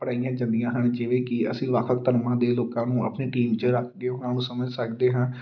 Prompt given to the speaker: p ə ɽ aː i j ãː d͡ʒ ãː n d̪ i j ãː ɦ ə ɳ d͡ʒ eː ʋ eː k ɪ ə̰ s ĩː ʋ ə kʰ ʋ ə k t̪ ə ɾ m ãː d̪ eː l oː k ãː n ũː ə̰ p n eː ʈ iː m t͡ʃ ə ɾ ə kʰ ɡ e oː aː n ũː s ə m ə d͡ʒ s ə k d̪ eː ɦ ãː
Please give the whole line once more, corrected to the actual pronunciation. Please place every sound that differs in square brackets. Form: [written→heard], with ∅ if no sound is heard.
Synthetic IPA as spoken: p ə ɽ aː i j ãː d͡ʒ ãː n d̪ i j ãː ɦ ə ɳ d͡ʒ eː ʋ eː k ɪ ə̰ s ĩː ʋ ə kʰ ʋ ə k t̪ ə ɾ m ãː d̪ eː l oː k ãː n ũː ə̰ p n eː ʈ iː m t͡ʃ ə ɾ ə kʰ ɡ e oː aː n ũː s ə m ə d͡ʒ s ə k d̪ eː ɦ ãː